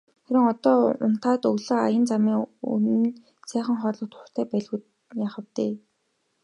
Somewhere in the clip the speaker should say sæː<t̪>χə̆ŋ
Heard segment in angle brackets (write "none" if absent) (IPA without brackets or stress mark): none